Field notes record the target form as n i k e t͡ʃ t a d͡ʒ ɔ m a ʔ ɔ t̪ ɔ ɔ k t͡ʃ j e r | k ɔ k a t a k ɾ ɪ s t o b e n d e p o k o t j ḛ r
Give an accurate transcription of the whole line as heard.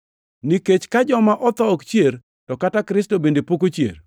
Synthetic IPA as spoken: n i k e t͡ʃ k a d͡ʒ ɔ m a ʔ ɔ t̪ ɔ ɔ k t͡ʃ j e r | t ɔ k a t a k ɾ ɪ s t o b e n d e p o k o t͡ʃ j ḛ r

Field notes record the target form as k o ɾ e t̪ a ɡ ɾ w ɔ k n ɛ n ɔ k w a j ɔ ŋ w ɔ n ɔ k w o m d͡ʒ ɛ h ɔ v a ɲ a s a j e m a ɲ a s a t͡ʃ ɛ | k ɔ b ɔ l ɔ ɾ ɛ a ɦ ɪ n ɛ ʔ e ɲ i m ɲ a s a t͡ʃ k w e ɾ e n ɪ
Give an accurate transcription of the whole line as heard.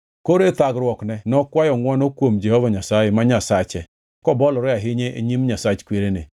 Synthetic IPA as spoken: k o ɾ e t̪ a ɡ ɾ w ɔ k n ɛ n ɔ k w a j ɔ ŋ w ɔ n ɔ k w o m d͡ʒ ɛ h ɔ v a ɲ a s a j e m a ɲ a s a t͡ʃ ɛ | k ɔ b ɔ l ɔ ɾ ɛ a ɦ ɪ ɲ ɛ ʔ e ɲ i m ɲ a s a t͡ʃ k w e ɾ e n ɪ

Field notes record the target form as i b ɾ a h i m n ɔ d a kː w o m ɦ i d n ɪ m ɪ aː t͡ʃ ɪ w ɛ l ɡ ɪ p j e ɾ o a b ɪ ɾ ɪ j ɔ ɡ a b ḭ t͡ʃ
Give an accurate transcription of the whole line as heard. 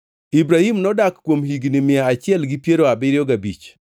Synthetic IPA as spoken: i b ɾ a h i m n ɔ d a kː w o m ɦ i ɡ n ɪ m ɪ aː t͡ʃ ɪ ɛ l ɡ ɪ p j e ɾ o a b ɪ ɾ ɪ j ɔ ɡ a b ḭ t͡ʃ

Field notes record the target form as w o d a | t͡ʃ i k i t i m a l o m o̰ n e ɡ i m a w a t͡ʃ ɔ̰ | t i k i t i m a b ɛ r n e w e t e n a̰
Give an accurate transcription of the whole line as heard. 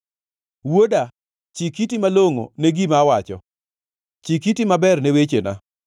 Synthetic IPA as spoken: w o d a | t͡ʃ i k i t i m a l o ŋ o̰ n e ɡ i m a w a t͡ʃ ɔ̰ | t͡ʃ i k i t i m a b ɛ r n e w e t͡ʃ e n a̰

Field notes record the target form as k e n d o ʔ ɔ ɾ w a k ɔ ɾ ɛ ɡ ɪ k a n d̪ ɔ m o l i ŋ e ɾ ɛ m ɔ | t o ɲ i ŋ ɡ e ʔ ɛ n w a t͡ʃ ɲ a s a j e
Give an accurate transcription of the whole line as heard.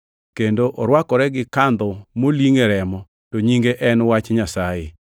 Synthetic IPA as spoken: k e n d o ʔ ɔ ɾ w a k ɔ ɾ ɛ ɡ ɪ k a n d̪ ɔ m o l i ŋ e ɾ ɛ m ɔ | t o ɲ i ŋ ɡ e ʔ ɛ n w a t͡ʃ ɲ a s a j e

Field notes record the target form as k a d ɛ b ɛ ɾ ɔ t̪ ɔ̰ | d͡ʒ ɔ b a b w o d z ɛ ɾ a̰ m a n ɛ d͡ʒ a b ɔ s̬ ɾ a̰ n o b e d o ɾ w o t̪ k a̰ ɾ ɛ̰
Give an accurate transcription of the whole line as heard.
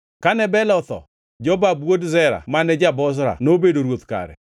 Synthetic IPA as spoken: k a n ɛ b ɛ l ɔ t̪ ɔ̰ | d͡ʒ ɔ b a b w o d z ɛ ɾ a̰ m a n ɛ d͡ʒ a b ɔ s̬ ɾ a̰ n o b e d o ɾ w o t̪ k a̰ ɾ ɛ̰

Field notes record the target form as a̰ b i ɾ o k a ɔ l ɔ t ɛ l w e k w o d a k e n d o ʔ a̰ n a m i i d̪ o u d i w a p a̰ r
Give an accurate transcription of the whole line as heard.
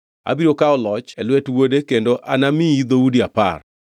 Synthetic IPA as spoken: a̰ b i ɾ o k a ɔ l ɔ t͡ʃ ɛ l w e t w o d e k e n d o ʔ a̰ n a m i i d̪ o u d i a p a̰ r

